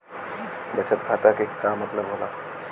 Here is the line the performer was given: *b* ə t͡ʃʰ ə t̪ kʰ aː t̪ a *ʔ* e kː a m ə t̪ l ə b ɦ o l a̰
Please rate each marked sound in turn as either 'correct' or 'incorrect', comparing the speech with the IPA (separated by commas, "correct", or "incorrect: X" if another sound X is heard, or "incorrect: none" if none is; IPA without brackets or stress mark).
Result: correct, incorrect: k